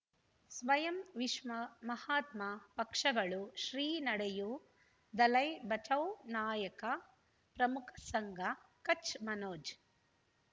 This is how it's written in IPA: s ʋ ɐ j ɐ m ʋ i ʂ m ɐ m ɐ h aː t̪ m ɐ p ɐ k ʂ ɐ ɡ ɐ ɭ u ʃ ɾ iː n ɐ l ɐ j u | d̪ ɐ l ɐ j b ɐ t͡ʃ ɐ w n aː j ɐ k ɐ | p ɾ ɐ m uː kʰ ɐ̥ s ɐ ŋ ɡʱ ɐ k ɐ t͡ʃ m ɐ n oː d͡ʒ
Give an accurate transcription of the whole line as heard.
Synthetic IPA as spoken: s ʋ ɐ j ɐ m ʋ i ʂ m ɐ m ɐ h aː t̪ m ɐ p ɐ k ʂ ɐ ɡ ɐ ɭ u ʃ ɾ iː n ɐ ɽ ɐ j u | d̪ ɐ l ɐ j b ɐ t͡ʃ ɐ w n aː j ɐ k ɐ | p ɾ ɐ m u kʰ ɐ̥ s ɐ ŋ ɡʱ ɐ k ɐ t͡ʃ m ɐ n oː d͡ʒ